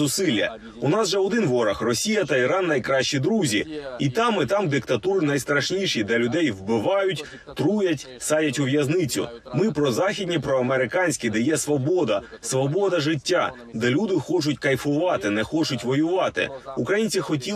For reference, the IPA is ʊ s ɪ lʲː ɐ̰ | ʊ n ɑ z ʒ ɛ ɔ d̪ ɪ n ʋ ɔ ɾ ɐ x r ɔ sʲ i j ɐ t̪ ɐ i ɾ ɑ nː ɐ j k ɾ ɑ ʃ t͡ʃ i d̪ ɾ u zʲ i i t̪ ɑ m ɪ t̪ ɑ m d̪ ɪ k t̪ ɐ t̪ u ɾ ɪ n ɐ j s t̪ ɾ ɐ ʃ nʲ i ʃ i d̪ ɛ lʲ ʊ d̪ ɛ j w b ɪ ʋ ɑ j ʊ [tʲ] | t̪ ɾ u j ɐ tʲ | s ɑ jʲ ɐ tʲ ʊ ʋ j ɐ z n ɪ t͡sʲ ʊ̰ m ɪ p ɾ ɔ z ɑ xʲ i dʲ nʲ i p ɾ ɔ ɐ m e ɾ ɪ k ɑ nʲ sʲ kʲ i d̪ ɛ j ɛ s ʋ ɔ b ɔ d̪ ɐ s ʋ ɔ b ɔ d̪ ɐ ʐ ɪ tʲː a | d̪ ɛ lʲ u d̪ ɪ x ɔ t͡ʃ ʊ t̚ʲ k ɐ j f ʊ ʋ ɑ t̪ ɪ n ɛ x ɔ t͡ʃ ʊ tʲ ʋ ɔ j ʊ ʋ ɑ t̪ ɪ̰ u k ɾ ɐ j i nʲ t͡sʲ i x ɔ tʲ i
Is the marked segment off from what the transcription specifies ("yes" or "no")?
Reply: no